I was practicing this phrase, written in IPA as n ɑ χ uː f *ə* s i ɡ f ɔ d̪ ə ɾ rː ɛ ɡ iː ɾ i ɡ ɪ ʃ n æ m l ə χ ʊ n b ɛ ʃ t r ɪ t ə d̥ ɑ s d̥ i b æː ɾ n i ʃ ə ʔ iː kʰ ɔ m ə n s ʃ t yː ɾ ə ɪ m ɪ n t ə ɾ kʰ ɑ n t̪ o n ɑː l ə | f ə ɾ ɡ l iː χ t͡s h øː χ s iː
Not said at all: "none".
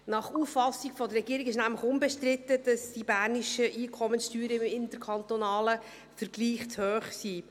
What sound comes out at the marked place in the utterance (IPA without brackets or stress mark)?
ɑ